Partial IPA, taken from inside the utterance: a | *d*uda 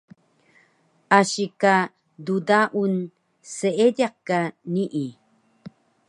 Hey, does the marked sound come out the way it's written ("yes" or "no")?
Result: yes